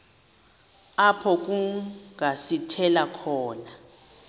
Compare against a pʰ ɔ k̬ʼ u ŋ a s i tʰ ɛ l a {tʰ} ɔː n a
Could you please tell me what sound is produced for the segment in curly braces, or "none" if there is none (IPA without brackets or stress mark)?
kʰ